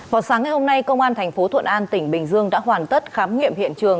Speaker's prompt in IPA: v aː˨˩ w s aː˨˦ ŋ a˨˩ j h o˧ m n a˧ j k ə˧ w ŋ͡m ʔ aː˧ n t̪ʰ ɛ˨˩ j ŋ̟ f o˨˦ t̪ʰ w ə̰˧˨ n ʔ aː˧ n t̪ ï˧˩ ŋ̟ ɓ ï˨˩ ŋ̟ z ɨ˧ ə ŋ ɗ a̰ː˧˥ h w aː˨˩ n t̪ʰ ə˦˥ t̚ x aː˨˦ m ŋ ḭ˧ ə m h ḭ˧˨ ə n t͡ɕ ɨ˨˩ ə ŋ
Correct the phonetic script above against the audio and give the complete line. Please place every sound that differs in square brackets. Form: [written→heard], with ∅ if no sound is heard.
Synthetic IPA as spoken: v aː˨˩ w s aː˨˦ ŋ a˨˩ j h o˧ m n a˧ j k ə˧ w ŋ͡m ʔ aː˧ n t̪ʰ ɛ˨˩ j ŋ̟ f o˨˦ t̪ʰ w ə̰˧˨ n ʔ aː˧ n t̪ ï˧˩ ŋ̟ ɓ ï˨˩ ŋ̟ z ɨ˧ ə ŋ ɗ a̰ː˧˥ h w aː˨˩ n [t̪ʰ→t̪] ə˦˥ t̚ x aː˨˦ m ŋ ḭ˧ ə m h ḭ˧˨ ə n t͡ɕ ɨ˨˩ ə ŋ